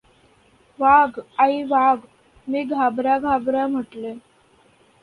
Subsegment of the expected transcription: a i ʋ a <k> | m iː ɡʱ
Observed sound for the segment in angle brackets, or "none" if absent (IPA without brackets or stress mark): ɡ